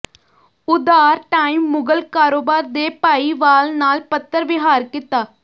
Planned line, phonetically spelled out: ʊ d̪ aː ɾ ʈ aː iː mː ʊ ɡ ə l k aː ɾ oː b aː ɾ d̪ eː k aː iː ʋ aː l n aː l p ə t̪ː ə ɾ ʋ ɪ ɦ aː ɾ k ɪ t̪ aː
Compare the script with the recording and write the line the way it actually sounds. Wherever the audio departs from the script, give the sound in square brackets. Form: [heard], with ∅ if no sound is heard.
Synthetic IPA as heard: ʊ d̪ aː ɾ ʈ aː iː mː ʊ ɡ ə l k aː ɾ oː b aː ɾ d̪ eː [p] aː iː ʋ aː l n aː l p ə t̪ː ə ɾ ʋ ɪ ɦ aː ɾ k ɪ t̪ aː